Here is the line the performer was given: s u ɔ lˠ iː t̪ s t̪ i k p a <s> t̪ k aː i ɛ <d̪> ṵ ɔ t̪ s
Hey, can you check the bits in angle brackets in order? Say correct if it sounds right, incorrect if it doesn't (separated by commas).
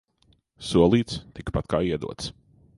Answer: incorrect, correct